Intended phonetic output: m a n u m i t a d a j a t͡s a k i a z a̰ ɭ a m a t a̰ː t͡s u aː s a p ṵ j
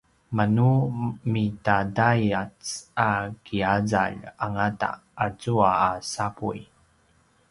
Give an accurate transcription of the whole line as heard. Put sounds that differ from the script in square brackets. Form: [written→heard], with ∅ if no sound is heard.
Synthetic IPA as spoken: m a n u m i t a d a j a t͡s a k i a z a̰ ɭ a [m→ŋ] a t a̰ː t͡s u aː s a p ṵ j

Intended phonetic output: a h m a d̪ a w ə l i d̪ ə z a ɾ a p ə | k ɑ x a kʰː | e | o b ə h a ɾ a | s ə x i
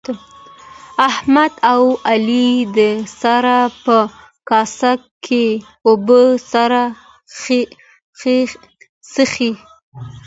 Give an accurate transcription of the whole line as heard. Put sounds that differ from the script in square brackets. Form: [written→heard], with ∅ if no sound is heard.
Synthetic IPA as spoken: a h m a d̪ a w [ə→a] l i d̪ ə [z→s] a ɾ a p ə | k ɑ [x→s] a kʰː | e | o b ə [h→s] a ɾ a | s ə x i

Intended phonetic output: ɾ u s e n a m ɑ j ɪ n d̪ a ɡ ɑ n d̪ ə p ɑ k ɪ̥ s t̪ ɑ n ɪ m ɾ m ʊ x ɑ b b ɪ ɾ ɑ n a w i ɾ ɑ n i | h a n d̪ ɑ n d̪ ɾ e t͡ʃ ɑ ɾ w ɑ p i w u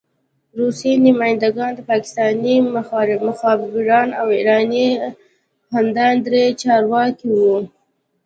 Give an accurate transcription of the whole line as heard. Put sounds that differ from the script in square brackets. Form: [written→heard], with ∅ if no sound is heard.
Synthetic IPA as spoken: ɾ u s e n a m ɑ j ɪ n d̪ a ɡ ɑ n d̪ ə p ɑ k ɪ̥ s t̪ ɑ n [ɪ→i] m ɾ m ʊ x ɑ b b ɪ ɾ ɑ n a w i ɾ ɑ n i | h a n d̪ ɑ n d̪ ɾ e t͡ʃ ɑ ɾ w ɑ [p→k] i w u

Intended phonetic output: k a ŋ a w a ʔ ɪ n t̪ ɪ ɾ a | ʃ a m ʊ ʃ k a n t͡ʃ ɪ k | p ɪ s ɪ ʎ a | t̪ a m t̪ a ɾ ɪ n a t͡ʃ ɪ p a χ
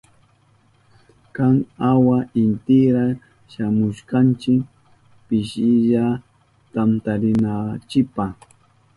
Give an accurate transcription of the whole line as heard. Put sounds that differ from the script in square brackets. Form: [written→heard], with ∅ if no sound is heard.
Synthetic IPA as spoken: k a ŋ a w a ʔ ɪ n t̪ ɪ ɾ a | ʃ a m ʊ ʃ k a n t͡ʃ ɪ k | p ɪ [s→ʃ] ɪ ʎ a | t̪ a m t̪ a ɾ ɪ n a t͡ʃ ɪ p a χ

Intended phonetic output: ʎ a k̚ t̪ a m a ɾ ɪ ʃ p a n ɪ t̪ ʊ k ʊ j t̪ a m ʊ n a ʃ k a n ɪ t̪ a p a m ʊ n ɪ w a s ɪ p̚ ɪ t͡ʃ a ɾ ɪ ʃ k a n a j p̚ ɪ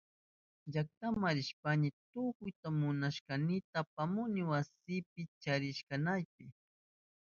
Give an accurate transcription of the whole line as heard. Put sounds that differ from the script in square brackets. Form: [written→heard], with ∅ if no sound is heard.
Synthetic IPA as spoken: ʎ a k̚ t̪ a m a ɾ ɪ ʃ p a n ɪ t̪ ʊ k ʊ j t̪ a m ʊ n a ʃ k a n ɪ t̪ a p a m ʊ n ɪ w a s ɪ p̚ ɪ t͡ʃ a ɾ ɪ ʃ k a n a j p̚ ɪ

